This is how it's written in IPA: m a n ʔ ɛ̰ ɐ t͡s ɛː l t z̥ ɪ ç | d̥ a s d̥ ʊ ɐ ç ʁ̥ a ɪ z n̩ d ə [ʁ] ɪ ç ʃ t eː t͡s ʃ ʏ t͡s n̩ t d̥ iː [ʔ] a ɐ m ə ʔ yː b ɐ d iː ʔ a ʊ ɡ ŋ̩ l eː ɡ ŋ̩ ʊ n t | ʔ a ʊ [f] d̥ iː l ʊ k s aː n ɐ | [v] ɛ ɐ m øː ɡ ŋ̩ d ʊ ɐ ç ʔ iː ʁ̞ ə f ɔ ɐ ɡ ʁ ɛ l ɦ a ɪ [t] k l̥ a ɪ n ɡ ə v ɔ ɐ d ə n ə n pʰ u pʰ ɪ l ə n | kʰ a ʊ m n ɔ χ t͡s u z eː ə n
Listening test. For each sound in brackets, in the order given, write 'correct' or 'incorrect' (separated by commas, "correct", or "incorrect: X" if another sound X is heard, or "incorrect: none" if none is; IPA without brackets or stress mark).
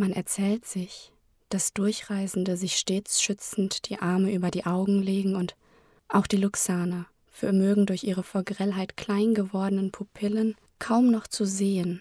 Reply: incorrect: z, correct, incorrect: x, incorrect: f, correct